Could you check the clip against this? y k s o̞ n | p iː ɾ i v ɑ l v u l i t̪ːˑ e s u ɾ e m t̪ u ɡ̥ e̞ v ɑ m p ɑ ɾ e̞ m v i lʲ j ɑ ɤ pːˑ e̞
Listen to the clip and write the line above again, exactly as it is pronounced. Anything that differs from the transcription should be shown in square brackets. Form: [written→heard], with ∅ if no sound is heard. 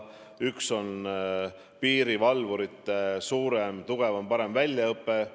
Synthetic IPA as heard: y k s o̞ n | p iː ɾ i v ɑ l v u [l→ɾ] i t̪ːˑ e s [u→uː] ɾ e m t̪ u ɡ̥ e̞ v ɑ m p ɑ ɾ e̞ m v [i→æ] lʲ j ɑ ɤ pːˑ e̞

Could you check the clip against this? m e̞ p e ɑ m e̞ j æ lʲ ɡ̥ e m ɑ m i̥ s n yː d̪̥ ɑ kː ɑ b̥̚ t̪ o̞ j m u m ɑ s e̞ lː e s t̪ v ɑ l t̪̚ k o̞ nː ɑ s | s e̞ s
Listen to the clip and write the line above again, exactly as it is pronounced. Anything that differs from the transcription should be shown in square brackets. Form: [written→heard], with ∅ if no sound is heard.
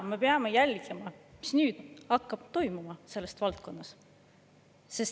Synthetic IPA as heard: m e̞ p e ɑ m e̞ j æ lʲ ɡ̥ e m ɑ m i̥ s n yː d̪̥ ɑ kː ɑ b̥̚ t̪ o̞ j m u m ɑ s e̞ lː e s t̪ v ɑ l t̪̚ k o̞ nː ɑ s | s e̞ s

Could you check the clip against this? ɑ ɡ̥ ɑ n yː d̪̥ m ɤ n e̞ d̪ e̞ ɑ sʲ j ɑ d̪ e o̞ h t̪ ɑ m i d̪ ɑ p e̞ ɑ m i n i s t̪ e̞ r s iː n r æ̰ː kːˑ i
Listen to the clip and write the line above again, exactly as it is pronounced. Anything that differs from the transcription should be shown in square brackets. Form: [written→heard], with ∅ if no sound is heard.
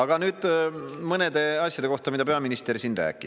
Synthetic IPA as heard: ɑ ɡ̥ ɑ n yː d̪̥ m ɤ n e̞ d̪ e̞ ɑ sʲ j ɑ d̪ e o̞ h t̪ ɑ m i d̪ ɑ p e̞ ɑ m i n i s t̪ e̞ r s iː n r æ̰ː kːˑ i

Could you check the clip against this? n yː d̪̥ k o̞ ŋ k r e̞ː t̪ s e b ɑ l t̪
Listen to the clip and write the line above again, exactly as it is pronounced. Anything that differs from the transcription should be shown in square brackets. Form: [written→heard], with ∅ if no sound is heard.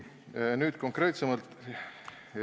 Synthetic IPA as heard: n yː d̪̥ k o̞ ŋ k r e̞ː t̪ s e [b→m] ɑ l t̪

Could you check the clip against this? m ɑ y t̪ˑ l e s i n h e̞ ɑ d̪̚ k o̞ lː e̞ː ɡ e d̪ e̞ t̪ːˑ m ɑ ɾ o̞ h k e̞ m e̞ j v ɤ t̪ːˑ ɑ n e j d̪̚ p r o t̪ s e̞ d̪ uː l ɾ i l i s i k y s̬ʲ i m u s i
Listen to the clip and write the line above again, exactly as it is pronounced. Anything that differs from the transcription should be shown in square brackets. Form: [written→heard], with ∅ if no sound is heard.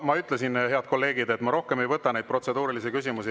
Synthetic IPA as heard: m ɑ y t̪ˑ l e s i n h e̞ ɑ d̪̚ k o̞ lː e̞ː ɡ [e→i] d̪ e̞ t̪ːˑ m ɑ ɾ o̞ h k e̞ m e̞ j v ɤ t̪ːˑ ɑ n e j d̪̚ p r o t̪ s e̞ d̪ uː [l→∅] ɾ i l i s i k y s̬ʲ i m u s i

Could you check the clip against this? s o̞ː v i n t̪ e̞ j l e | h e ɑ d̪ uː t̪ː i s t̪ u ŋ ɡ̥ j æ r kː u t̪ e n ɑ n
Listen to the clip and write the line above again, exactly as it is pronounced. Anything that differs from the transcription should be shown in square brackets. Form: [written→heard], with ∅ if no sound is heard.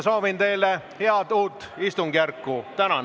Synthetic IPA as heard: s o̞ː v i n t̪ e̞ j l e | h e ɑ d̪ uː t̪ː i s t̪ u ŋ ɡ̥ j æ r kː u t̪ [e→æ] n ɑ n

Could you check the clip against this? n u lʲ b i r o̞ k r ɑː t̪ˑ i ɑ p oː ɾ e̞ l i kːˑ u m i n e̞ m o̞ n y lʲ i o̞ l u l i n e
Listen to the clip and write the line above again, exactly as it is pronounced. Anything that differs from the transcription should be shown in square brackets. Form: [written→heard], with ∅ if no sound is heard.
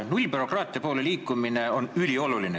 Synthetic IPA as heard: n u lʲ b [i→y] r o̞ k r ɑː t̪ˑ i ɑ p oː [ɾ→l] e̞ l [i→iː] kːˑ u m i n e̞ [m→∅] o̞ n y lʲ i o̞ l u l i n e

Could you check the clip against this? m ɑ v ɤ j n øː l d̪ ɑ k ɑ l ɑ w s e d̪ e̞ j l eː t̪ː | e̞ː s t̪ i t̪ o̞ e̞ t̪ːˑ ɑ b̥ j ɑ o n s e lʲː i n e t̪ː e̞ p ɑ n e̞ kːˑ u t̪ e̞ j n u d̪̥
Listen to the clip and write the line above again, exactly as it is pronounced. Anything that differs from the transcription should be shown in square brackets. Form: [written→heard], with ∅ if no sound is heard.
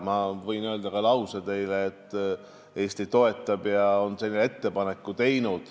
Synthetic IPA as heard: m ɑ v ɤ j n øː l d̪ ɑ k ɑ l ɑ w s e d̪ e̞ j l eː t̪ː | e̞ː s t̪ i t̪ o̞ e̞ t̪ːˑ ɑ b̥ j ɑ o n s e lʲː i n e t̪ː e̞ p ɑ n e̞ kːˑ u t̪ e̞ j n u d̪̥

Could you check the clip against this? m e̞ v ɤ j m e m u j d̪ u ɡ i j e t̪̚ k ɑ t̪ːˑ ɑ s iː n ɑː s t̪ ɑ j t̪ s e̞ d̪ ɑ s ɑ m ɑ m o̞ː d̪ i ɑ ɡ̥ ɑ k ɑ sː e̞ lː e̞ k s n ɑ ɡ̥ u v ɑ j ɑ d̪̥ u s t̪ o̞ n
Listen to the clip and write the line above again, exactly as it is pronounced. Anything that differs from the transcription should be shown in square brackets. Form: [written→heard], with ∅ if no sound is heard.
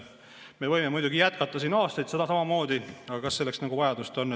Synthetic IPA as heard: m e̞ v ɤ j m e m u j d̪ u ɡ i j [e→æ] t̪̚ k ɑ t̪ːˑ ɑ s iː n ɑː s t̪ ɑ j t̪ s e̞ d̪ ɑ s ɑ m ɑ m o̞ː d̪ i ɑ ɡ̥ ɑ k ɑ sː e̞ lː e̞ k s n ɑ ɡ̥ u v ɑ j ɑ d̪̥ u s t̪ o̞ n

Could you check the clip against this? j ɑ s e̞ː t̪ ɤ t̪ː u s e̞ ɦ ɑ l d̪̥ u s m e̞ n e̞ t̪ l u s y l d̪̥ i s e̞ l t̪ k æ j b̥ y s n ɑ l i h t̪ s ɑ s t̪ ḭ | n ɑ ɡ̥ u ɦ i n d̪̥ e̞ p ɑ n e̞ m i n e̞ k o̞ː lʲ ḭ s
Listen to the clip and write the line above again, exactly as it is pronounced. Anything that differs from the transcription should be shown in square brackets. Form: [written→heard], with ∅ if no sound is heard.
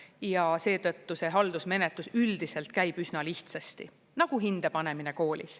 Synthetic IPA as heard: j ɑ s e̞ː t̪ ɤ t̪ː u s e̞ ɦ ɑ l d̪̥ u s m e̞ n e̞ t̪ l u s y l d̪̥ i s e̞ l t̪ k æ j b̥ y s n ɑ l i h t̪ s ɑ s t̪ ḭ | n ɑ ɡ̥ u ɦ i n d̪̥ e̞ p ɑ n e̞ m i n e̞ k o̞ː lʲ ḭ s

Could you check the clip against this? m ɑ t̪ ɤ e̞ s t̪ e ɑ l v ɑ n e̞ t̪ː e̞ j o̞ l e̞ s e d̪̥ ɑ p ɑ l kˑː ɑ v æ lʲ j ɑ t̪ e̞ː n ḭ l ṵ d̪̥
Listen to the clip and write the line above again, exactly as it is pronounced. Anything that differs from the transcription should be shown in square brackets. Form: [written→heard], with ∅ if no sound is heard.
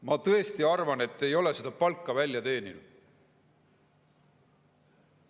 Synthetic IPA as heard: m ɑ t̪ ɤ e̞ s t̪ [e→i] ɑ [l→r] v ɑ n e̞ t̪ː e̞ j o̞ l e̞ s e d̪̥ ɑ p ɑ l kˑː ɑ v æ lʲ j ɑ t̪ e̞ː n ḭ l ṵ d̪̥

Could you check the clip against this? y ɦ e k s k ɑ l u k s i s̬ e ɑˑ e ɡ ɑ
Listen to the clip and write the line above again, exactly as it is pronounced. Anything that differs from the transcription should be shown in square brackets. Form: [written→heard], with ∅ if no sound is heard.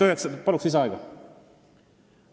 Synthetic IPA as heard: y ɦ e k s [k→p] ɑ l u k s i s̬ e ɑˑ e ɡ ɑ

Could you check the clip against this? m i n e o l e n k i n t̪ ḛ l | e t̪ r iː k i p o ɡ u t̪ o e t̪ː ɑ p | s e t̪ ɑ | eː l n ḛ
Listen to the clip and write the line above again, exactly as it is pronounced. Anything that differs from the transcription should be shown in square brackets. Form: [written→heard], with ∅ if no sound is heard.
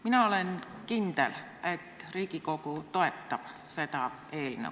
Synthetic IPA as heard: m i n [e→æ] o l e n k i n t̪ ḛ l | e t̪ r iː k i [p→k] o [ɡ→k] u t̪ o e t̪ː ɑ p | s e t̪ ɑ | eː l n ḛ

